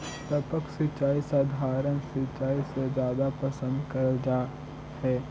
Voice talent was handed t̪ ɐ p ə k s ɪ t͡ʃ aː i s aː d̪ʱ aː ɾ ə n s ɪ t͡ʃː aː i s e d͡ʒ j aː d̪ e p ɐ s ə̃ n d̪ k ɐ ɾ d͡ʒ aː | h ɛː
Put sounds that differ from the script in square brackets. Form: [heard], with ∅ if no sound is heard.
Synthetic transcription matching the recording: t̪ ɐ p ə k s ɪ t͡ʃ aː i s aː d̪ʱ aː ɾ ə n s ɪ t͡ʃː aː i s e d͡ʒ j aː d̪ [a] p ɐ s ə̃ n d̪ k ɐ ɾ d͡ʒ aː | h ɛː